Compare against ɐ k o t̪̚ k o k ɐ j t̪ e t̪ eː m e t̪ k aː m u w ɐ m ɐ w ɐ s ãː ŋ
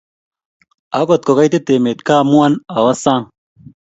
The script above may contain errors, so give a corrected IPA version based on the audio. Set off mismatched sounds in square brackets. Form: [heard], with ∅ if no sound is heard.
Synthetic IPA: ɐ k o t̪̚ k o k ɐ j t̪ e t̪ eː m e t̪ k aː m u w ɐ [n] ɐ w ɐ s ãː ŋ